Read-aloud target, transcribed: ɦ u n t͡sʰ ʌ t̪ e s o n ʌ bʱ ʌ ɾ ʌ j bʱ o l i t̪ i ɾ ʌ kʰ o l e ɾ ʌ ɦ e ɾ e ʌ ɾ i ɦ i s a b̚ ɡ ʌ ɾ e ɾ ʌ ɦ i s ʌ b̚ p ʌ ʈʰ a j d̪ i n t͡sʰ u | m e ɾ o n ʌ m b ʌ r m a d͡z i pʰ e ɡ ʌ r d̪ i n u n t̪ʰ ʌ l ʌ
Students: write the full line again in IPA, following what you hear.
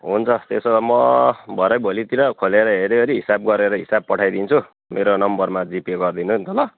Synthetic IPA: ɦ u n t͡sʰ ʌ t̪ e s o m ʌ bʱ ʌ ɾ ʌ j bʱ o l i t̪ i ɾ ʌ kʰ o l e ɾ ʌ ɦ e ɾ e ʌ ɾ i ɦ i s a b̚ ɡ ʌ ɾ e ɾ ʌ ɦ i s a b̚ p ʌ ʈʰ a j d̪ i n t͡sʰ u | m e ɾ o n ʌ m b ʌ r m a d͡z i p e ɡ ʌ r d̪ i n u n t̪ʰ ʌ l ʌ

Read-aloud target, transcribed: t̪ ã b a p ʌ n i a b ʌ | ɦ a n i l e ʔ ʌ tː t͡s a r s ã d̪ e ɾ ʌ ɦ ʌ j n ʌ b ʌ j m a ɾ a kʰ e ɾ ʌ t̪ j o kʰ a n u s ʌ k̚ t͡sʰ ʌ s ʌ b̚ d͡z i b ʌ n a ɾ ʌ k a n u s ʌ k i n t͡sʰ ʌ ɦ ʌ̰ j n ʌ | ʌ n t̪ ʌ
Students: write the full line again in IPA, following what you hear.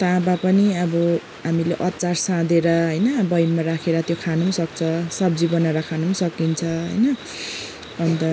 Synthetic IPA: t̪ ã b a p ʌ n i ʌ b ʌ | ɦ a m i l e ʔ ʌ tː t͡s a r s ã d̪ e ɾ ʌ ɦ ʌ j n ʌ b ʌ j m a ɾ a kʰ e ɾ ʌ t̪ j o kʰ a n u s ʌ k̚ t͡sʰ ʌ s ʌ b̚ d͡z i b ʌ n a ɾ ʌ kʰ a n u s ʌ k i n t͡sʰ ʌ ɦ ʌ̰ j n ʌ | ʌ n t̪ ʌ

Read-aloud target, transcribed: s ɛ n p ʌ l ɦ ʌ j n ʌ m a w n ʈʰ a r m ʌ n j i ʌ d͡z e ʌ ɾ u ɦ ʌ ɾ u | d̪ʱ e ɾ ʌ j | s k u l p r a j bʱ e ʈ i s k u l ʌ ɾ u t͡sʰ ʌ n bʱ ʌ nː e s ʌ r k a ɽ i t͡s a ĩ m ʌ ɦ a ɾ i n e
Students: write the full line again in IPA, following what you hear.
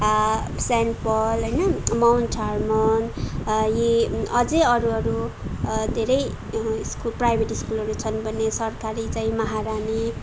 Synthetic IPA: s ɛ n p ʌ l ɦ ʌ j n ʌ m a w n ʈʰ a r m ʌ n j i ʌ d͡z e ʌ ɾ u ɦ ʌ ɾ u | d̪ʱ e ɾ ʌ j | s k u l p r a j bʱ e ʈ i s k u l ʌ ɾ u t͡sʰ ʌ n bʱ ʌ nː e s ʌ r k a ɾ i t͡s a ĩ m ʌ ɦ a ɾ a n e

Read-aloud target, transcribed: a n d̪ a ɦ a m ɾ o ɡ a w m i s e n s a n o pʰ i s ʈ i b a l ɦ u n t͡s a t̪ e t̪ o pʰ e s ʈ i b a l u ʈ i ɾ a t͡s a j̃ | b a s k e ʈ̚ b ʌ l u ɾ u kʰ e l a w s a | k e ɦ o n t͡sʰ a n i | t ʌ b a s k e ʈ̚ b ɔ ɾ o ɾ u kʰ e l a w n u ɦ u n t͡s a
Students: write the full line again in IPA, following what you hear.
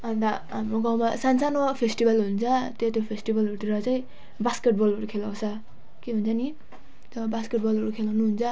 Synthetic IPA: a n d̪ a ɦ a m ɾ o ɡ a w m a s a n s a n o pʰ e s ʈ i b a l ɦ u n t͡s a t̪ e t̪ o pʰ e s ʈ i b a l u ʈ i ɾ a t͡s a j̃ | b a s k e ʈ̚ b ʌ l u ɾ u kʰ e l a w s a | k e ɦ u n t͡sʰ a n i | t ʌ b a s k e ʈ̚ b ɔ l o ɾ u kʰ e l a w n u ɦ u n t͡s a

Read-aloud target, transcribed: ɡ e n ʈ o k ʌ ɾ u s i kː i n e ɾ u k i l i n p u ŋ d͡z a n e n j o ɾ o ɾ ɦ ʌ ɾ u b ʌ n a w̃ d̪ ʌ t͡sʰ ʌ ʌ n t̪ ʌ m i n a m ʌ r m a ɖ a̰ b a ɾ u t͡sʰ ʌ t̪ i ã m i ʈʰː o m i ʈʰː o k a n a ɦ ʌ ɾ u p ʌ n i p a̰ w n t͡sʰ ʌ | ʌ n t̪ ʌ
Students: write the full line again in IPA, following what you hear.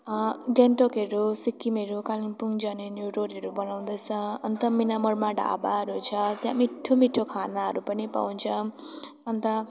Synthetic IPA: ɡ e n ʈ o k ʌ ɾ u s i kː i m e ɾ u k a l i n p u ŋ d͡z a n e n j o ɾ o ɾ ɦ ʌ ɾ u b ʌ n a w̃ d̪ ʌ t͡sʰ ʌ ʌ n t̪ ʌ m i n a m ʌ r m a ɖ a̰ b a ɾ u t͡sʰ ʌ t̪ j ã m i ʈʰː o m i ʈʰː o kʰ a n a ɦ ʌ ɾ u p ʌ n i p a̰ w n t͡sʰ ʌ | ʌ n t̪ ʌ

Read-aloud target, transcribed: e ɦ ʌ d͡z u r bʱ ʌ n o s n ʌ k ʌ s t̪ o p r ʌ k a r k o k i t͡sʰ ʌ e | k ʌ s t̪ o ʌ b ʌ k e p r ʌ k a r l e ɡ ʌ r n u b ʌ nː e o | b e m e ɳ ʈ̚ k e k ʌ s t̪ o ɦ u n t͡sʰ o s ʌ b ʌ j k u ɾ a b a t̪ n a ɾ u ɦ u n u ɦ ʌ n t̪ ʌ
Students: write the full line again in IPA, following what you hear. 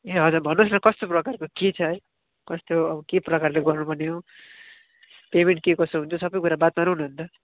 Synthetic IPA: e ɦ ʌ d͡z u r bʱ ʌ n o s n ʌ k ʌ s t̪ o p r ʌ k a r k o k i t͡sʰ ʌ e | k ʌ s t̪ o ʌ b ʌ k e p r ʌ k a r l e ɡ ʌ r n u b ʌ n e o | p e m e ɳ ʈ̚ k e k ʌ s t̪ o ɦ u n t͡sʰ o s ʌ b ʌ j k u ɾ a b a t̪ m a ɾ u ɦ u n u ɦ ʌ n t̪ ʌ

